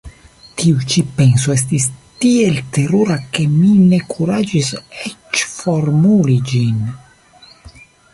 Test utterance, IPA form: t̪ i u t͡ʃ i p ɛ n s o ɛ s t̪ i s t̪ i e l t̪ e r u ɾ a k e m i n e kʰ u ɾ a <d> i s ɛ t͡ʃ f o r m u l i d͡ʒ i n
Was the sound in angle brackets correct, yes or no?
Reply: no